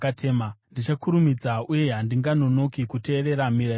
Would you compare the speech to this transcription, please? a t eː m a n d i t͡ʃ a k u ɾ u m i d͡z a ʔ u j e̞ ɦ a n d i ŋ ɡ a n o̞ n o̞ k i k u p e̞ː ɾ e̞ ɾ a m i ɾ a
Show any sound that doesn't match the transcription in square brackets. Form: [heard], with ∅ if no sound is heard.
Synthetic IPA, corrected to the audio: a t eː m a n d i t͡ʃ a k u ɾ u m i d͡z a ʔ u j e̞ ɦ a n d i ŋ ɡ a n o̞ n o̞ k i k u [t] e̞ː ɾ e̞ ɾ a m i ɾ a